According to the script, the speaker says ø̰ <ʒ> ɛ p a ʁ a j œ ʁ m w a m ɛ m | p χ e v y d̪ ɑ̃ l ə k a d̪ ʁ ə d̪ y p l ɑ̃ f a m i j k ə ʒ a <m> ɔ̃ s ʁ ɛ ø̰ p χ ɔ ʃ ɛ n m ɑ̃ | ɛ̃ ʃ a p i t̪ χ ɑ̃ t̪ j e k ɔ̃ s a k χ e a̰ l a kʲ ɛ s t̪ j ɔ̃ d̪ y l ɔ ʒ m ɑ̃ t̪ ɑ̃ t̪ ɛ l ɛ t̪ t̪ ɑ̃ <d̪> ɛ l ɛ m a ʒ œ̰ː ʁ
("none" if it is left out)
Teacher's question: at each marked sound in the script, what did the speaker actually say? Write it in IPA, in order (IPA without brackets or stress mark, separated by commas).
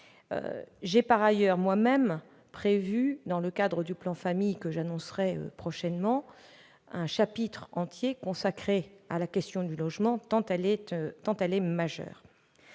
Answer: ʒ, n, t̪